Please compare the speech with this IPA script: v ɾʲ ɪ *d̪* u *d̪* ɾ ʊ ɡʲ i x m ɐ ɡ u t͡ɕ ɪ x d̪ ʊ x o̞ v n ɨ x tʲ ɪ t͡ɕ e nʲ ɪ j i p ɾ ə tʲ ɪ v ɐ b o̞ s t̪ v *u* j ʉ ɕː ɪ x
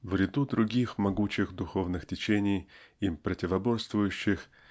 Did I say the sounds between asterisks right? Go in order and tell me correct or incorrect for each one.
correct, correct, incorrect: ʊ

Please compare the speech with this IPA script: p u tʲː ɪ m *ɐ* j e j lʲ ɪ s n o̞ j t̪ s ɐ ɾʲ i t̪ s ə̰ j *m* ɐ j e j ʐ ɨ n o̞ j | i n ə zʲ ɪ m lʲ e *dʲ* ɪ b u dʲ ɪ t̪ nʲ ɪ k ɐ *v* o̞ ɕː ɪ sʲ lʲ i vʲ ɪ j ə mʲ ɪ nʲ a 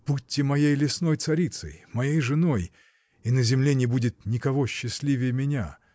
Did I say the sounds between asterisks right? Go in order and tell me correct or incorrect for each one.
correct, correct, incorrect: nʲ, correct

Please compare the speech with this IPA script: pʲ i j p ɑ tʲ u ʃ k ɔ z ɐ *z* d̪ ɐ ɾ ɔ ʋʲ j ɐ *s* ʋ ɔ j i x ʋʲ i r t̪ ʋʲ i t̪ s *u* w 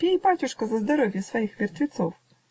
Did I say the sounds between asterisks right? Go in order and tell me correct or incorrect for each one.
correct, correct, incorrect: ɔ

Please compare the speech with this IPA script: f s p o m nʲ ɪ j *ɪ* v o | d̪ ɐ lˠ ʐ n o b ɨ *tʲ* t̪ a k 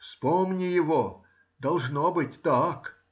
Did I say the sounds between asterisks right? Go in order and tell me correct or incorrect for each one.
correct, correct

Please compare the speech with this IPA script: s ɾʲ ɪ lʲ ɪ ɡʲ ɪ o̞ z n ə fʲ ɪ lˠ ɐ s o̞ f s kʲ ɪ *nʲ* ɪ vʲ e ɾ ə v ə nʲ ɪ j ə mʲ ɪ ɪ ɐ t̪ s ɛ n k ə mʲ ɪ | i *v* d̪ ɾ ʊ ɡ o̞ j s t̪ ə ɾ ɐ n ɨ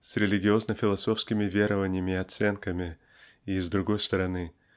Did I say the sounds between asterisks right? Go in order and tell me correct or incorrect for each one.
incorrect: mʲ, incorrect: z

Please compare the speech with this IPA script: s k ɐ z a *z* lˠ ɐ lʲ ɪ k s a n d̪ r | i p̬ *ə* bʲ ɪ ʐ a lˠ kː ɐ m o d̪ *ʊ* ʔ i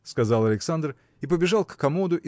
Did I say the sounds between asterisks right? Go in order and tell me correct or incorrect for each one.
incorrect: none, correct, correct

